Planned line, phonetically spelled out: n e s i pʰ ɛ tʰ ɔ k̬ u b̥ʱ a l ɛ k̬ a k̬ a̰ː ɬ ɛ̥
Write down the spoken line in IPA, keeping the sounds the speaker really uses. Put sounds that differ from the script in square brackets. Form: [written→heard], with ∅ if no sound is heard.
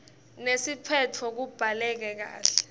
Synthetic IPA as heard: n e s i pʰ ɛ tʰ ɔ k̬ u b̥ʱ a l ɛ k̬ [a→ɛ] k̬ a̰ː ɬ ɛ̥